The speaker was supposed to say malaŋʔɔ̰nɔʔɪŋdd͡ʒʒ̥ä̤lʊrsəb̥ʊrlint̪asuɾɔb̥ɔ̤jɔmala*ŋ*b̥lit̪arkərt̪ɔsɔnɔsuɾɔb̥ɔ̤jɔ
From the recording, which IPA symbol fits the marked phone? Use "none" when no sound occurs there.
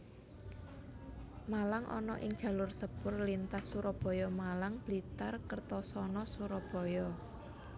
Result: ŋ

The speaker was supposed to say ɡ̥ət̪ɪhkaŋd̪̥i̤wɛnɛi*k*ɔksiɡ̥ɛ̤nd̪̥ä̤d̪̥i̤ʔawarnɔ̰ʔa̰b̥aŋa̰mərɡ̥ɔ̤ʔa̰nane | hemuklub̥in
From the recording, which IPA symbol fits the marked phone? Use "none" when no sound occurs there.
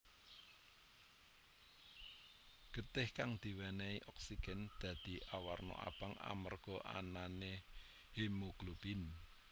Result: ʔ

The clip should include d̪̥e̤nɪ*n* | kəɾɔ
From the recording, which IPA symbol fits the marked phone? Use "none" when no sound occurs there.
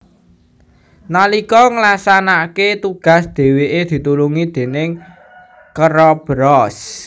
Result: ŋ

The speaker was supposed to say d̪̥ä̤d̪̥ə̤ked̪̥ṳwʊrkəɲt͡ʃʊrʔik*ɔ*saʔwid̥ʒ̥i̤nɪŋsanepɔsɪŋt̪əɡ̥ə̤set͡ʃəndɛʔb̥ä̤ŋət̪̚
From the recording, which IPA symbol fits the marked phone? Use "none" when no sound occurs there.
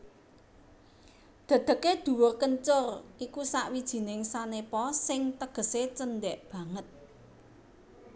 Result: u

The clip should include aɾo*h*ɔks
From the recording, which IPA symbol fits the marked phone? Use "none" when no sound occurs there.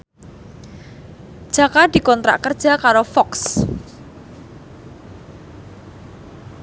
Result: f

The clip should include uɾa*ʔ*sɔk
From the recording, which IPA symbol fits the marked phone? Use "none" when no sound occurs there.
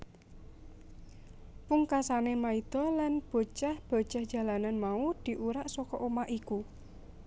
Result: ʔ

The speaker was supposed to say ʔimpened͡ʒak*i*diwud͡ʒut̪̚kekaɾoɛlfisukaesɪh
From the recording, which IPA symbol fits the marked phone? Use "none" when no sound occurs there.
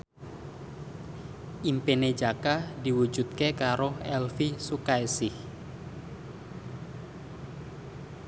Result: a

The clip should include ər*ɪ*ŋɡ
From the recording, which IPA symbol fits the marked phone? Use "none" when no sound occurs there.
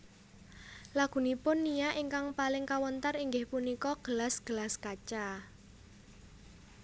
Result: i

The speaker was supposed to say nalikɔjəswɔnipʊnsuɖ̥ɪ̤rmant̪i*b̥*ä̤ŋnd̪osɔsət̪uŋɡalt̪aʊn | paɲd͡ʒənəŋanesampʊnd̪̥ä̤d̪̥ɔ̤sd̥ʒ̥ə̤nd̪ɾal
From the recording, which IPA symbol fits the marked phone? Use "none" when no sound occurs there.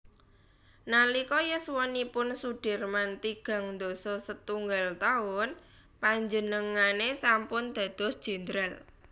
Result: ɡ̥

